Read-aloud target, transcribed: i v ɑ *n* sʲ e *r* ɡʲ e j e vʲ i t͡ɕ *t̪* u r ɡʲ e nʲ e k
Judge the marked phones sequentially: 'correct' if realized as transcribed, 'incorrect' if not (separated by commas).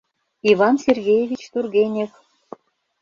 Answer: correct, correct, correct